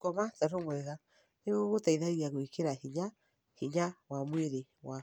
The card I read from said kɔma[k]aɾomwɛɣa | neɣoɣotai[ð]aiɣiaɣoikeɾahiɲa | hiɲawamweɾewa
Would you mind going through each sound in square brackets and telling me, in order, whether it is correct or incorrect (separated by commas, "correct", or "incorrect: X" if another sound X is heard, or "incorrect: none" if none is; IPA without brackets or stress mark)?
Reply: incorrect: t, correct